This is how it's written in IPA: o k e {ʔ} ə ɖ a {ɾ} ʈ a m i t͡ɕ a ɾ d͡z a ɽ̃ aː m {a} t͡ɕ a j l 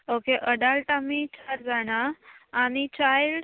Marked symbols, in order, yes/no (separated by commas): yes, no, no